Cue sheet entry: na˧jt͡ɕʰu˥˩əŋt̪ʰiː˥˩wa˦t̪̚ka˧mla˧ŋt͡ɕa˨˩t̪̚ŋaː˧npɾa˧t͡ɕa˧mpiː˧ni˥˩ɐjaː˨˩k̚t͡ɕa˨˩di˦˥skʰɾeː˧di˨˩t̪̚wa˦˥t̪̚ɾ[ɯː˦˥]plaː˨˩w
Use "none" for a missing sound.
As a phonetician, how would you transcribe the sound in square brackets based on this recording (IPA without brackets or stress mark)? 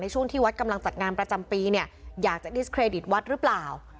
ɯ˦˥